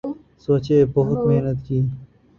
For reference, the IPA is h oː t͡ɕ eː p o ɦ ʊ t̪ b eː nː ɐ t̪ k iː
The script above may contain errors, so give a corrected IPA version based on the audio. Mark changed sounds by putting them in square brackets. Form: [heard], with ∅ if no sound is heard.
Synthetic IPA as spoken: [s] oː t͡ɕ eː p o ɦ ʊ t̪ [m] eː [n] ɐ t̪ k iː